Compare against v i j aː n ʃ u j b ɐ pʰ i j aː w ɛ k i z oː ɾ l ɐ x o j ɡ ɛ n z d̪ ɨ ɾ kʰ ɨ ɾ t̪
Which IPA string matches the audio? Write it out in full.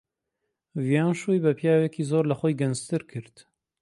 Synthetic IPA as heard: v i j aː n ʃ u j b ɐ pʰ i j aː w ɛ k i z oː ɾ l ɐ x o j ɡ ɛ n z t̪ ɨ ɾ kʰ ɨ ɾ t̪